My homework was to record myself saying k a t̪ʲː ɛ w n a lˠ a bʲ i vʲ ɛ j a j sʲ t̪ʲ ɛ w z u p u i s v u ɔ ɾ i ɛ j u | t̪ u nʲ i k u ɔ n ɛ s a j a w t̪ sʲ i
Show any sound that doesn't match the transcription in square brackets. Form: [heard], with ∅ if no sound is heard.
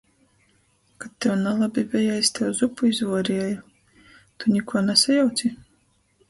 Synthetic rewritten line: k a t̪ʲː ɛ w n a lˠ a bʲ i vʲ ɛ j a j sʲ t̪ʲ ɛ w z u p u i [z] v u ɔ ɾ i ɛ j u | t̪ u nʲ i k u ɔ n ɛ s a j a w t̪ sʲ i